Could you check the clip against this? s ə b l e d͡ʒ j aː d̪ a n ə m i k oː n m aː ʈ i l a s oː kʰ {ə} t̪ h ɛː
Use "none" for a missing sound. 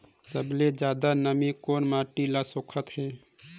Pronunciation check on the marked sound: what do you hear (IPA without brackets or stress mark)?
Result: ə